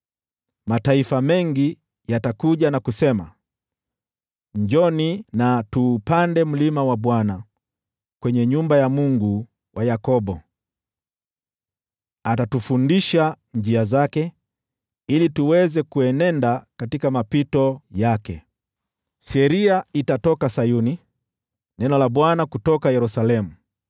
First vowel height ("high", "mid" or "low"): low